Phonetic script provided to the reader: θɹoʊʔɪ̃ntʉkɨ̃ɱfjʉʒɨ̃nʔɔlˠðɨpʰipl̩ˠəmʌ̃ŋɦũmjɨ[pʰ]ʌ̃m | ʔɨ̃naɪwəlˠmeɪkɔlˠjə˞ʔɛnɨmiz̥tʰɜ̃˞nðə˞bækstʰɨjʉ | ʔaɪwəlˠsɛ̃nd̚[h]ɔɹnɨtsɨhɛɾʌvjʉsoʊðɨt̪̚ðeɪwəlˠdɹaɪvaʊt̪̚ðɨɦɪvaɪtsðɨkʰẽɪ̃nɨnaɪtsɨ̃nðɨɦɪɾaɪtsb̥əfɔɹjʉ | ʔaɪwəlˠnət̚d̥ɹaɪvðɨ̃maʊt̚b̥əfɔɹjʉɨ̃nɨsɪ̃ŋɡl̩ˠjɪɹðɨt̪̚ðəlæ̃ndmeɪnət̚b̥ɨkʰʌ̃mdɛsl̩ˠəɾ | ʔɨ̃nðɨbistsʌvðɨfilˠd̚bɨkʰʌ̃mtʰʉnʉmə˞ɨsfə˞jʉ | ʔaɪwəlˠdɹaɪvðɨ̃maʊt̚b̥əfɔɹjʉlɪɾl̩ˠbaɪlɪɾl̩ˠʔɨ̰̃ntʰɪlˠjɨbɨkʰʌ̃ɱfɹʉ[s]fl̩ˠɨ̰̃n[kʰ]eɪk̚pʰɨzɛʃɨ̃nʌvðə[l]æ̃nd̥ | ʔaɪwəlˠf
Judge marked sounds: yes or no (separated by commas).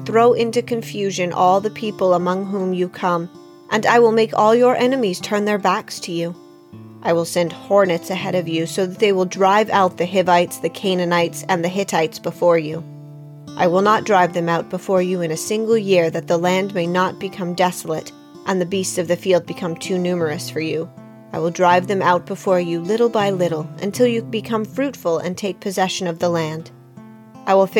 no, yes, no, no, yes